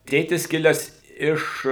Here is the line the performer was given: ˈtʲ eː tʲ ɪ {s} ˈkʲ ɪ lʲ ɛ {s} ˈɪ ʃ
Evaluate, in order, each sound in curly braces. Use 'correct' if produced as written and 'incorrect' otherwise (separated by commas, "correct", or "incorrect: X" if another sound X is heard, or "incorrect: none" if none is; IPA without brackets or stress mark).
correct, correct